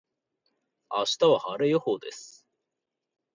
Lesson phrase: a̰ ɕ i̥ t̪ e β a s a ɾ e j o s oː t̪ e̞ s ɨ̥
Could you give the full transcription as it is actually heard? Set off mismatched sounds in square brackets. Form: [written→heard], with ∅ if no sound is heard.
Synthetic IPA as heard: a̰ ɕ i̥ t̪ [e→a] β a [s→h] a ɾ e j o [s→h] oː [t̪→d̪] e̞ s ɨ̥